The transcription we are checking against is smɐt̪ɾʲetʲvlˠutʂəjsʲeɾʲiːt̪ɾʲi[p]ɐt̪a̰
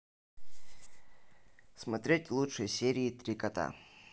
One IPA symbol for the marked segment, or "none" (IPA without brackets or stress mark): k